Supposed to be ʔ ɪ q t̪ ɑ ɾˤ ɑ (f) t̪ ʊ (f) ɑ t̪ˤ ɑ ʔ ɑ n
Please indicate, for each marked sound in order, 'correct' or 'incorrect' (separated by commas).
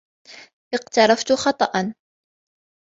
correct, incorrect